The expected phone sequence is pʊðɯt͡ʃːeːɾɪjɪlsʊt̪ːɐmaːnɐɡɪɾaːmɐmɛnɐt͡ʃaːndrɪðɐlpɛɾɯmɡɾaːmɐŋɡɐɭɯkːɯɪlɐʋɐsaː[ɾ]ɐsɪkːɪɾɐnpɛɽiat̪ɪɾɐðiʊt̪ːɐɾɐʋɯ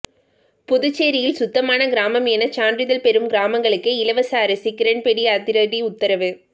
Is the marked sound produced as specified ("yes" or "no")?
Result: yes